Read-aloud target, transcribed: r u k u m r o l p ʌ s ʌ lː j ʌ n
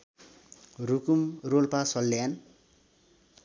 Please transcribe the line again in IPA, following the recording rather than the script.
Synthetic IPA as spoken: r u k u m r o l p a s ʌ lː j a n